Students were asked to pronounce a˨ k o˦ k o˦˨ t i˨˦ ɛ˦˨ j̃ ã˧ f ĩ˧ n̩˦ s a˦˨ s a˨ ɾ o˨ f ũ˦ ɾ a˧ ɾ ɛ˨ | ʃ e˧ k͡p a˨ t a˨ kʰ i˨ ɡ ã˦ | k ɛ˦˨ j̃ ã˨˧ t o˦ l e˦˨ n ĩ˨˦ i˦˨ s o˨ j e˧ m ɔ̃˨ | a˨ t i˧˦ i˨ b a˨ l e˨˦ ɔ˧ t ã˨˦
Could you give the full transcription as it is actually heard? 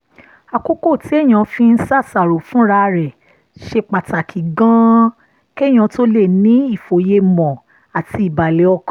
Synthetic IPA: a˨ k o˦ k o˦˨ t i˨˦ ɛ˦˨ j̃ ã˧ f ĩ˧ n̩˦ s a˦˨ s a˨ ɾ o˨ f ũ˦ ɾ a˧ ɾ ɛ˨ | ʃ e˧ k͡p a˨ t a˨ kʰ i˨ ɡ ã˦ | k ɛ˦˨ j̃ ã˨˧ t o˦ l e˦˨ n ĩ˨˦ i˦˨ f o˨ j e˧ m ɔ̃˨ | a˨ t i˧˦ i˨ b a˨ l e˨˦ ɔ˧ k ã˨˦